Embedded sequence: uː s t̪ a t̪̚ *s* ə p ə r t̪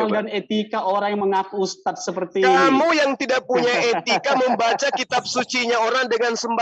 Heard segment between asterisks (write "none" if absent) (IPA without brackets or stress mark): s